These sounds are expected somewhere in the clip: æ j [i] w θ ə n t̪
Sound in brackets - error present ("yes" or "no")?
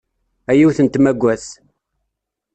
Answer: no